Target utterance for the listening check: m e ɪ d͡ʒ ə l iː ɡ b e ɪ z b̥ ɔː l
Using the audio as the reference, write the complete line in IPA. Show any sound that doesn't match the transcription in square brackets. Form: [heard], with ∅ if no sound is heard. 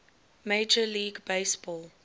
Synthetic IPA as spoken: m e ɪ d͡ʒ ə l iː ɡ b e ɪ [s] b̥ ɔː l